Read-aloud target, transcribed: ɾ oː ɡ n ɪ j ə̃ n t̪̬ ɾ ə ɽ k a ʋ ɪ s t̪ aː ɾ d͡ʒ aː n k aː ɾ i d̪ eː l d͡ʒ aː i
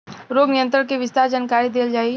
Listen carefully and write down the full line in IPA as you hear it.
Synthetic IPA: ɾ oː ɡ n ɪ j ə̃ n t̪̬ ɾ ə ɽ k e ʋ ɪ s t̪ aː ɾ d͡ʒ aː n k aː ɾ i d̪ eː l d͡ʒ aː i